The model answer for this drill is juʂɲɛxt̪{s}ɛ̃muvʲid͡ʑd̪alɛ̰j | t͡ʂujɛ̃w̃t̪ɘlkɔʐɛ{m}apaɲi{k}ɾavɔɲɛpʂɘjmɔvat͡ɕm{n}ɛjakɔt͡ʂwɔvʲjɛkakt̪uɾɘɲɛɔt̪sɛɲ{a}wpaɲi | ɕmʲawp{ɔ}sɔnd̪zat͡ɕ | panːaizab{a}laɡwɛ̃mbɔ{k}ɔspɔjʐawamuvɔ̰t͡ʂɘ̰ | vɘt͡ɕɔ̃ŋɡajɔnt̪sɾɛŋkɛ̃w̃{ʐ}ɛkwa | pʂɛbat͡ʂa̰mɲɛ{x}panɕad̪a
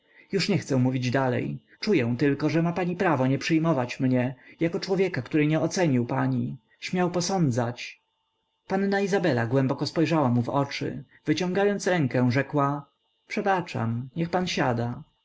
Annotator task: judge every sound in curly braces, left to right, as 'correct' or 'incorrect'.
correct, correct, incorrect: p, incorrect: ɲ, incorrect: i, correct, incorrect: ɛ, correct, correct, correct

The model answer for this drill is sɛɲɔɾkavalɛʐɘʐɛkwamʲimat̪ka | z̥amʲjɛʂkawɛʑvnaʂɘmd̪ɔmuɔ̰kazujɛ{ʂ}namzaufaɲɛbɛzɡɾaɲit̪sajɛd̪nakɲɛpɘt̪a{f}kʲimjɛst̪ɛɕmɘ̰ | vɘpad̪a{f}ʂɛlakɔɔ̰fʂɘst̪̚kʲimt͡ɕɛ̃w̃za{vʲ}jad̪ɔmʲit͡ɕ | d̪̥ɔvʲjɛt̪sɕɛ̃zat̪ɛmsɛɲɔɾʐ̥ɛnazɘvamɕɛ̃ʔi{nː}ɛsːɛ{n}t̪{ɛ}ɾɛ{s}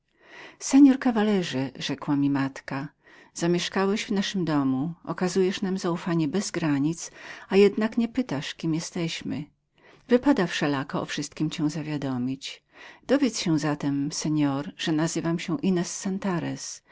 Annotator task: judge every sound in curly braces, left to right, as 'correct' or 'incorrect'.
correct, incorrect: ʂ, correct, correct, incorrect: n, correct, incorrect: a, correct

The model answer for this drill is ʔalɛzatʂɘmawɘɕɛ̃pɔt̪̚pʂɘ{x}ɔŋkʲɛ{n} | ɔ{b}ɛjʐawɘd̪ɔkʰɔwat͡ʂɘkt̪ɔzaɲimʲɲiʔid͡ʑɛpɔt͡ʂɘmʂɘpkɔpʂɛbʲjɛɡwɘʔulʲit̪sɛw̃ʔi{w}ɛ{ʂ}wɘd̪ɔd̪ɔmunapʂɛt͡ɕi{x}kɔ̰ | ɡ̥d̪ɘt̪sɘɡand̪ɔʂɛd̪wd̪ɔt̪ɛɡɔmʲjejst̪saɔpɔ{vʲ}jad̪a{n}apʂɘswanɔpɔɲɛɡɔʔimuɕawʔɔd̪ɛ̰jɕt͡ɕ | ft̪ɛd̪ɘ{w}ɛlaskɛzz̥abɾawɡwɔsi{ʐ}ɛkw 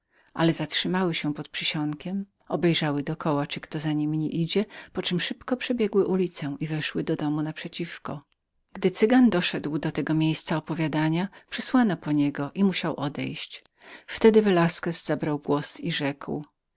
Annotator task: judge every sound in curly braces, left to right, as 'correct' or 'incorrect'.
incorrect: ɕ, incorrect: m, correct, incorrect: v, correct, incorrect: f, correct, incorrect: ɲ, incorrect: v, correct

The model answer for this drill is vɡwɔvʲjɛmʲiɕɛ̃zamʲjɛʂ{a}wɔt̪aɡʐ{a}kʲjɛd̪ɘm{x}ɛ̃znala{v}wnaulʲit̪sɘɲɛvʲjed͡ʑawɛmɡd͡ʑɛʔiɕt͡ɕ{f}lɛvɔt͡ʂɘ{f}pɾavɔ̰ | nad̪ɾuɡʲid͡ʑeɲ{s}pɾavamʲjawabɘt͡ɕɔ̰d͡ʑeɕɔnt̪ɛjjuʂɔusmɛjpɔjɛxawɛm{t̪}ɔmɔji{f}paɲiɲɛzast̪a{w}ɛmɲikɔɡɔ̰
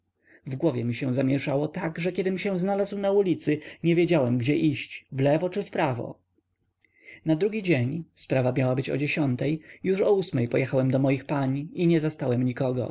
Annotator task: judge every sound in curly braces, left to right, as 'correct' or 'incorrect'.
correct, incorrect: ɛ, incorrect: ɕ, incorrect: z, incorrect: v, correct, correct, incorrect: d̪, incorrect: x, correct

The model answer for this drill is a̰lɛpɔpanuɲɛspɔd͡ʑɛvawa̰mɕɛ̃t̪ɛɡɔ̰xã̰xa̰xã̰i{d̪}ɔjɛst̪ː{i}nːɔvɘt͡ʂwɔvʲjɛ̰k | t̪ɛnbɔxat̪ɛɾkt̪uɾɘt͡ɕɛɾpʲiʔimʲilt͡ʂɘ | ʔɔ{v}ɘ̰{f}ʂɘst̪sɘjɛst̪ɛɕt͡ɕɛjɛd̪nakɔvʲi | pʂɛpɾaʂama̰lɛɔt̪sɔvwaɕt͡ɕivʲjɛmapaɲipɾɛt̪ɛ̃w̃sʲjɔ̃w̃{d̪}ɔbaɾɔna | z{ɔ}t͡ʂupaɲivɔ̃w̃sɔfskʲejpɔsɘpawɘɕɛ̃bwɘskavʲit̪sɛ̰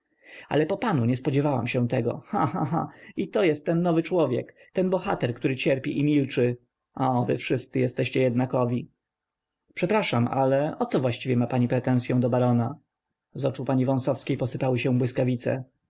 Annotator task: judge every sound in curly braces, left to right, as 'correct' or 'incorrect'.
incorrect: t̪, incorrect: ɛ, correct, correct, correct, correct

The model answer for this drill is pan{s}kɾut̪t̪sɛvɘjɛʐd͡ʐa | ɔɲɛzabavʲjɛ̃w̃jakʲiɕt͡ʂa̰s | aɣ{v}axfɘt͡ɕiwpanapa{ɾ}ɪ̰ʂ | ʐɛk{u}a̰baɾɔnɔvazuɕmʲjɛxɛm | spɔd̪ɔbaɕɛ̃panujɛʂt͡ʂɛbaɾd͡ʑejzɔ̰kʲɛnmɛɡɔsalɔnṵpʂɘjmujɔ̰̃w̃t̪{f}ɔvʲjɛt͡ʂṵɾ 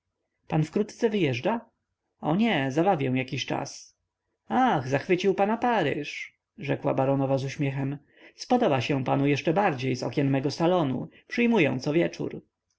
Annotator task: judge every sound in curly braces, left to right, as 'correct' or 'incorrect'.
incorrect: f, incorrect: z, correct, incorrect: w, incorrect: s

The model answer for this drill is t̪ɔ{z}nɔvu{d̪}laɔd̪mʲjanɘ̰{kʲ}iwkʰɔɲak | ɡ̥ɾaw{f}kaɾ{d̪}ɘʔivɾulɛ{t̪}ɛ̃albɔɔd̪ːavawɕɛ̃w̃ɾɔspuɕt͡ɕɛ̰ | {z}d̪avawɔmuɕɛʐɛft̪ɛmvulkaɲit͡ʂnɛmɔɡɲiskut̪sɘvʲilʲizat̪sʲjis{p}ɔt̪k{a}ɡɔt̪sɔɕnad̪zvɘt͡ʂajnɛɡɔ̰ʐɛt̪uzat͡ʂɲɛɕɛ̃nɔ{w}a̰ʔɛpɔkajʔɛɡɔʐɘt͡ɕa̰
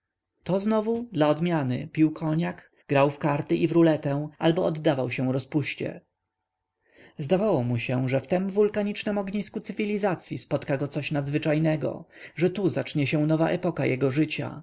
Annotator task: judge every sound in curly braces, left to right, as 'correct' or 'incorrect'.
correct, correct, incorrect: pʲ, correct, incorrect: t̪, correct, correct, correct, correct, incorrect: v

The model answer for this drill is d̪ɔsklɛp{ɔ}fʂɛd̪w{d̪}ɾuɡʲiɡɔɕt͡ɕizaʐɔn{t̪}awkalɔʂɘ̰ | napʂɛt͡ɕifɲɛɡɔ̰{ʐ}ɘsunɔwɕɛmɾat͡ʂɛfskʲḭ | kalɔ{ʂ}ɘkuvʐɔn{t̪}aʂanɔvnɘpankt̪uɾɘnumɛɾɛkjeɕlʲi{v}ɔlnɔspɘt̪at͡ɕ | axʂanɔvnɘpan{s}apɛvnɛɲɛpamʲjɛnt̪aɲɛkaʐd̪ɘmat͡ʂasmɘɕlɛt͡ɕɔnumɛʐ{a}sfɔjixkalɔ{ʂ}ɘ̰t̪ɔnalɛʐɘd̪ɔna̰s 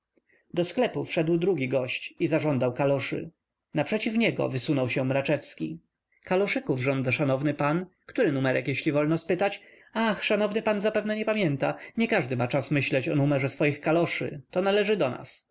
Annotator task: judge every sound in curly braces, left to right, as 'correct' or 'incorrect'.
incorrect: u, correct, incorrect: d̪, incorrect: v, correct, incorrect: d̪, correct, incorrect: z, incorrect: ɛ, correct

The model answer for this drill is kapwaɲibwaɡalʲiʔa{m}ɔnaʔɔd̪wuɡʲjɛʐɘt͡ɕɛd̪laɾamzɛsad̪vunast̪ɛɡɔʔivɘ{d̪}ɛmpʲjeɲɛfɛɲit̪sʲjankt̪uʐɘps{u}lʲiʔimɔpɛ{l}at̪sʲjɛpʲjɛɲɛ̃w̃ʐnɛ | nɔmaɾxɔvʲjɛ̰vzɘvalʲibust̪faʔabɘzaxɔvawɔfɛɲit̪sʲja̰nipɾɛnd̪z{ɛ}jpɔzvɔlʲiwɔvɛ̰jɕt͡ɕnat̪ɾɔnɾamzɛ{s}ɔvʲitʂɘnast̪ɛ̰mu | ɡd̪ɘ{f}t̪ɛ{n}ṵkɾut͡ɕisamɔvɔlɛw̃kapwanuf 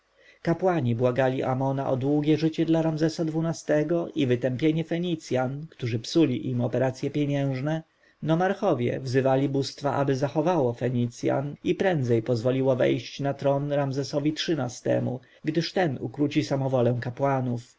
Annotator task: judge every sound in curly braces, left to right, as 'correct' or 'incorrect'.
correct, incorrect: t̪, correct, incorrect: ɾ, correct, correct, incorrect: ʂ, correct

